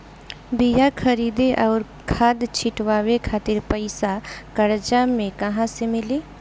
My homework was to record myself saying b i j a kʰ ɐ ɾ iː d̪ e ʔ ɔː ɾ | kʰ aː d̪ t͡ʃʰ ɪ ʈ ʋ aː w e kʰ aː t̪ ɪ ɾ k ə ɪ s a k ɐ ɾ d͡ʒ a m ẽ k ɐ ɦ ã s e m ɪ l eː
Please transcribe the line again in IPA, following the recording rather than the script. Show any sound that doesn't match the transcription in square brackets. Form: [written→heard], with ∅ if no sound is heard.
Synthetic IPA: b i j a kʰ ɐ ɾ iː d̪ e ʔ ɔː ɾ | kʰ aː d̪ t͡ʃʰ ɪ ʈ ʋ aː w e kʰ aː t̪ ɪ ɾ [k→p] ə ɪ s a k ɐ ɾ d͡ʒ a m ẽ k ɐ ɦ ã s e m ɪ l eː

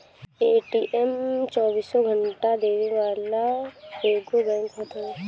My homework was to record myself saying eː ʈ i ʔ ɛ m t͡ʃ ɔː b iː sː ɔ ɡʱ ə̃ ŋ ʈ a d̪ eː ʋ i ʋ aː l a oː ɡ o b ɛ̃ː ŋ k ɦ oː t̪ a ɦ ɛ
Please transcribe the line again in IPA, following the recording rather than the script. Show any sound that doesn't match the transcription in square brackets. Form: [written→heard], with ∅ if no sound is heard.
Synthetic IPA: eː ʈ i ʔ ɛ m t͡ʃ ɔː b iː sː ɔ ɡʱ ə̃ [ŋ→ɳ] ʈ a d̪ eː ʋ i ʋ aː l a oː ɡ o b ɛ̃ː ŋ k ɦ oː t̪ a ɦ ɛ

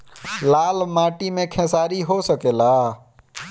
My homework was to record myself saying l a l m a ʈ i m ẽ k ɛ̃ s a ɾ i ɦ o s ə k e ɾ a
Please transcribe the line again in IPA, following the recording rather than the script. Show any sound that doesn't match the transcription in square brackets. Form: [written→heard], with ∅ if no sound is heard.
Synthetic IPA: l a l m a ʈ i m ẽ [k→kʰ] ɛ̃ s a ɾ i ɦ o s ə k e [ɾ→l] a

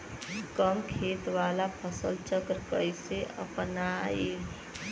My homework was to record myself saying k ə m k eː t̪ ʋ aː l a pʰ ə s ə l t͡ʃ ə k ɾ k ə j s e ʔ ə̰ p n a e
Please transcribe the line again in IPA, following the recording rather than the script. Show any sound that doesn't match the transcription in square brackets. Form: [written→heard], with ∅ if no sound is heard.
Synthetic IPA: k ə m [k→kʰ] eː t̪ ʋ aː l a pʰ ə s ə l t͡ʃ ə k ɾ k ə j s e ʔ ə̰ p n a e

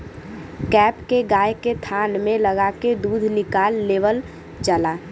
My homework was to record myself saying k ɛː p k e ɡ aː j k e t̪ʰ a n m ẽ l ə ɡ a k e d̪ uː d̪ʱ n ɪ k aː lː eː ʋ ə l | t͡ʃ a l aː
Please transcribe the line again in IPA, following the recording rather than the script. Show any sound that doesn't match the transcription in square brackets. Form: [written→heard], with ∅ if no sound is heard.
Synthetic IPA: k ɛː p k e ɡ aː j k e t̪ʰ a n m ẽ l ə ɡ a k e d̪ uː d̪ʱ n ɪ k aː lː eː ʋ ə l | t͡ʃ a l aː

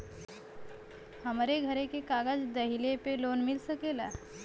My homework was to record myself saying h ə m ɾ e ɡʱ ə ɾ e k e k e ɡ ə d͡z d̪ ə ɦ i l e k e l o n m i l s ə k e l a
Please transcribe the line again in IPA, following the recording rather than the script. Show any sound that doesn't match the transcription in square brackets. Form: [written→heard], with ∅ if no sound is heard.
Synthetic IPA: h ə m ɾ e ɡʱ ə ɾ e k e k [e→a] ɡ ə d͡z d̪ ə ɦ i l e [k→p] e l o n m i l s ə k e l a

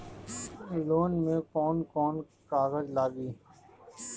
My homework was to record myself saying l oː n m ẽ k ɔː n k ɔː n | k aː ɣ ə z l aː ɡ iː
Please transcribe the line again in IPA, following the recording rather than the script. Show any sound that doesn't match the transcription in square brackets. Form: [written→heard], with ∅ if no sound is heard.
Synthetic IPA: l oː n m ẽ k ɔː n k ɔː n | k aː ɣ ə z l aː ɡ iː

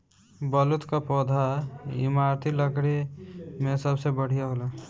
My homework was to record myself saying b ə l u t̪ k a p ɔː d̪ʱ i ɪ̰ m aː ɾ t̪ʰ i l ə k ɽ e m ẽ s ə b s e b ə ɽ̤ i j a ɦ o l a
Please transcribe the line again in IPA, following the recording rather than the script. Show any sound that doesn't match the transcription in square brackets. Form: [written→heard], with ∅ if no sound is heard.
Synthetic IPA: b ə l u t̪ k a p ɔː d̪ʱ [i→a] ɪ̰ m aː ɾ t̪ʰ i l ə k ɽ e m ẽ s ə b s e b ə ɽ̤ i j a ɦ o l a

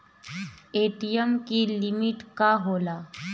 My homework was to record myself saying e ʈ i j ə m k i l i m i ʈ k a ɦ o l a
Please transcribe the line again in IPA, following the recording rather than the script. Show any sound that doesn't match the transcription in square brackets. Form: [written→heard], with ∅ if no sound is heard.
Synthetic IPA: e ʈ i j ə m k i l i m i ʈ k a ɦ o l a

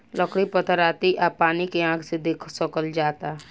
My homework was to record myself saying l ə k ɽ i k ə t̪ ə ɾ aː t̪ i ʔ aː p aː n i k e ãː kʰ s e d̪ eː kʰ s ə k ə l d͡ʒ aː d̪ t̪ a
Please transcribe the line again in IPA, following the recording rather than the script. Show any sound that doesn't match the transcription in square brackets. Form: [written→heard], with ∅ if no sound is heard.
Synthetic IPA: l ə k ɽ i [k→p] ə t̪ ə ɾ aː t̪ i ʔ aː p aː n i k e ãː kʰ s e d̪ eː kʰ s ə k ə l d͡ʒ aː [d̪→∅] t̪ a

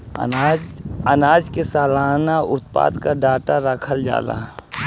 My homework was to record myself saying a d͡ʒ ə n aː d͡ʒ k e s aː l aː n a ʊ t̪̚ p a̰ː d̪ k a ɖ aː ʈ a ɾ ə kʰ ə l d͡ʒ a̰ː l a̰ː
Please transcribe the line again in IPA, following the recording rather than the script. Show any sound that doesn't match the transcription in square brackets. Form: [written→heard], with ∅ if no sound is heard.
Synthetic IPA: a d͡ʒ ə n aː d͡ʒ k e s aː l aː n a ʊ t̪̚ p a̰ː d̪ k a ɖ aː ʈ a ɾ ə kʰ ə l d͡ʒ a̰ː l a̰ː

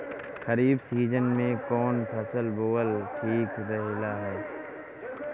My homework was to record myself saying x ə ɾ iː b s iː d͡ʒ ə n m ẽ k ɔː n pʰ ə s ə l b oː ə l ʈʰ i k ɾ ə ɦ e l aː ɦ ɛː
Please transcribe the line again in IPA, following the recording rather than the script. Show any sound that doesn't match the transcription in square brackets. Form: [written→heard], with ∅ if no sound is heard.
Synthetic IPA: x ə ɾ iː b s iː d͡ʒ ə n m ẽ k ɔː n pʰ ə s ə l b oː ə l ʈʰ [i→iː] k ɾ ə ɦ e l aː ɦ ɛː

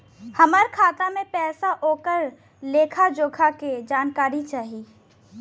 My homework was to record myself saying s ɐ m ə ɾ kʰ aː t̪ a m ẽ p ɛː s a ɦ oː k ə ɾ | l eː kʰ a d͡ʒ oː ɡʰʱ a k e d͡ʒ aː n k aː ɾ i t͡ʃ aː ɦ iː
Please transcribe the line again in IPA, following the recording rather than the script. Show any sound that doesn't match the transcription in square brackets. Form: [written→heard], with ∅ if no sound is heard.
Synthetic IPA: [s→h] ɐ m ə ɾ kʰ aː t̪ a m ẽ p ɛː s a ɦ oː k ə ɾ | l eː kʰ a d͡ʒ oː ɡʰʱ a k e d͡ʒ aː n k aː ɾ i t͡ʃ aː ɦ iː

